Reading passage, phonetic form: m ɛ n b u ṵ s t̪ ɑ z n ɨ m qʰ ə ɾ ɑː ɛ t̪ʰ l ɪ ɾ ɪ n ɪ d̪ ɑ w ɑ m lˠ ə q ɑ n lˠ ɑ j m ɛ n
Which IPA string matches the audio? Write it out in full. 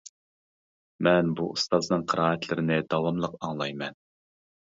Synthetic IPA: m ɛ n b u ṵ s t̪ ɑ z n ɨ ŋ qʰ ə ɾ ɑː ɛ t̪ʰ l ɪ ɾ ɪ n ɪ d̪ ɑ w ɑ m lˠ ə q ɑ ŋ lˠ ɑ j m ɛ n